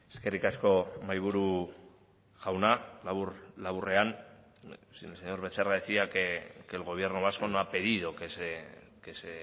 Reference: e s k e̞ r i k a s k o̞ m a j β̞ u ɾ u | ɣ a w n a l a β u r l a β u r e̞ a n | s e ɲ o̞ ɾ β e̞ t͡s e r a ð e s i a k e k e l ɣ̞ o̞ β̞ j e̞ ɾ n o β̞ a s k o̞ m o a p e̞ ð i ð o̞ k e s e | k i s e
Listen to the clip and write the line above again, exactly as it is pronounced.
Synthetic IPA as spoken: e s k e̞ r i k a s k o̞ m a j β̞ u ɾ u | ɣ a w n a l a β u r l a β u r e̞ a n | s e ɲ o̞ ɾ β e̞ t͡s e r a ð e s i a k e k e l ɣ̞ o̞ β̞ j e̞ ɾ n o β̞ a s k o̞ n o a p e̞ ð i ð o̞ k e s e | k e s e